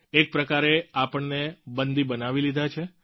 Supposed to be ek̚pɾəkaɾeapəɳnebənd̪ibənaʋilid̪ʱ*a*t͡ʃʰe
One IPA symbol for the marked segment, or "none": a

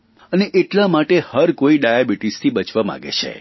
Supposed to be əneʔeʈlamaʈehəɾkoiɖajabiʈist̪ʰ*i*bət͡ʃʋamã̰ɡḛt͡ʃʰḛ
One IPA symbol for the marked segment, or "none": i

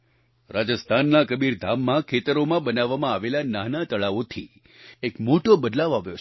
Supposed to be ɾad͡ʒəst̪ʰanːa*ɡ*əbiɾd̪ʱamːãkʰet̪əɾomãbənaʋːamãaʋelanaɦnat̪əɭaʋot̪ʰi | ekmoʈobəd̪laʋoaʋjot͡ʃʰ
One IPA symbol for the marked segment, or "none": k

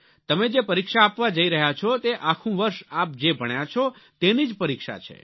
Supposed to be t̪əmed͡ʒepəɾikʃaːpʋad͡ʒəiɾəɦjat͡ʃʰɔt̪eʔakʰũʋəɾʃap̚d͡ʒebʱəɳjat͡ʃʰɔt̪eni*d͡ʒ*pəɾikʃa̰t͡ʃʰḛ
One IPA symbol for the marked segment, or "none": d͡ʒ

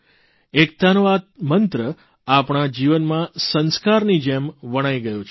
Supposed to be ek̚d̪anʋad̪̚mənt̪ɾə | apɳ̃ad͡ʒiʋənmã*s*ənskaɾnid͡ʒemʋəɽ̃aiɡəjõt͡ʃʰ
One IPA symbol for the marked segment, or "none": s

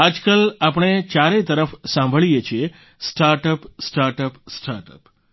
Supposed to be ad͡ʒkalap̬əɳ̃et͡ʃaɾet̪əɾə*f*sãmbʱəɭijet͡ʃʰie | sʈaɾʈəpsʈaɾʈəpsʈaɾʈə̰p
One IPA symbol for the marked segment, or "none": f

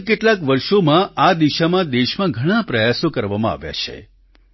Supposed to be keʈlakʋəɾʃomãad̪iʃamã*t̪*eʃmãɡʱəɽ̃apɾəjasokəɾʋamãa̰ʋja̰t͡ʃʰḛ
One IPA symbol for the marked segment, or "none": d̪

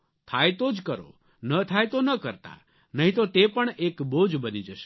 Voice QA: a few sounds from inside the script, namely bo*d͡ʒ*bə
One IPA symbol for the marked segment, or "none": d͡ʒ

